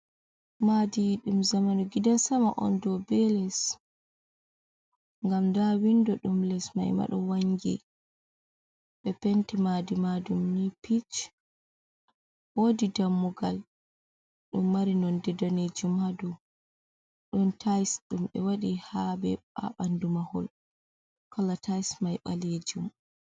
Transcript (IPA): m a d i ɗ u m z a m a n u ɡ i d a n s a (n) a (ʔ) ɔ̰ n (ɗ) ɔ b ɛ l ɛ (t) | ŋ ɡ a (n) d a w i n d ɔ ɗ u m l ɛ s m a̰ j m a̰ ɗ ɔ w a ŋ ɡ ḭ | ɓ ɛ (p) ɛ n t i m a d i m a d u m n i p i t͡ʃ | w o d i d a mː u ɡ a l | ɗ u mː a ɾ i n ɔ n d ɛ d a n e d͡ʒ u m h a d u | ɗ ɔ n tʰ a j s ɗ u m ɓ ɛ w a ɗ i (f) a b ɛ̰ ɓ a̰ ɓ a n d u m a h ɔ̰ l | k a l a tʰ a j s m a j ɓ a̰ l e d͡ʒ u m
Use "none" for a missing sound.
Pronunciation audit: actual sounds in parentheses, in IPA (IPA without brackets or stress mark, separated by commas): m, ʔ, d, s, m, p, h